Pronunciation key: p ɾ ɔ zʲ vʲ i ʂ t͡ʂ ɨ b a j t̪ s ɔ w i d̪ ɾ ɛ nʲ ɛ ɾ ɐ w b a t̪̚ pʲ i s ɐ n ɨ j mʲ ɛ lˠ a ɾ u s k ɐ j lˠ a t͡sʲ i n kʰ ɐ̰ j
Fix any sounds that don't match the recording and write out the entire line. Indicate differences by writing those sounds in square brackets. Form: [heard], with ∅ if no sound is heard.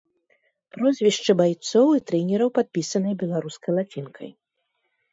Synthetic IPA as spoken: p ɾ ɔ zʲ vʲ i ʂ t͡ʂ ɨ b a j t̪ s ɔ w i [t̪] ɾ ɛ nʲ ɛ ɾ ɐ w [p] a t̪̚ pʲ i s ɐ n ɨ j [bʲ] ɛ lˠ a ɾ u s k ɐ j lˠ a t͡sʲ i n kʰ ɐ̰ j